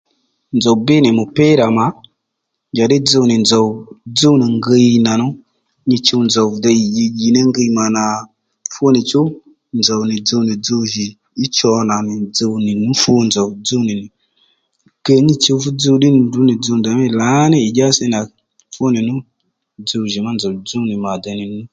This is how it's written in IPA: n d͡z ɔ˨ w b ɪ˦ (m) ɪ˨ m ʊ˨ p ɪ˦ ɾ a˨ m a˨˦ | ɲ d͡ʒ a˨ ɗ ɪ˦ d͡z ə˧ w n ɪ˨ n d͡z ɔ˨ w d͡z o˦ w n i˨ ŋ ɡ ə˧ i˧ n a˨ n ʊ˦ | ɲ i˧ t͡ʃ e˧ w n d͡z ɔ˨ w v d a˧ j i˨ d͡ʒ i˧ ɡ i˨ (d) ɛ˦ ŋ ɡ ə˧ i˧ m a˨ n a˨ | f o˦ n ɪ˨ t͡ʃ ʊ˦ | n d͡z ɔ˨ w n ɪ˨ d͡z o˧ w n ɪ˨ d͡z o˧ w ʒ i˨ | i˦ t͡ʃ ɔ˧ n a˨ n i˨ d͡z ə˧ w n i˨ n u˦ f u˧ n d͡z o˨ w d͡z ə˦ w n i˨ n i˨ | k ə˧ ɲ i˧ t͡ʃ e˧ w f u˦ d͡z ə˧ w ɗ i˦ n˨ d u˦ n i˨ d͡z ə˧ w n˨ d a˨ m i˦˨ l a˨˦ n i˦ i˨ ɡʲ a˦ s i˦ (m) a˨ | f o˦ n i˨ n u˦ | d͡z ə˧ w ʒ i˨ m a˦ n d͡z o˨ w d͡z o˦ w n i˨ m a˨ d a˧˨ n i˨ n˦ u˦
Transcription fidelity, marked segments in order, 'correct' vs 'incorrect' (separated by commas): incorrect, incorrect, incorrect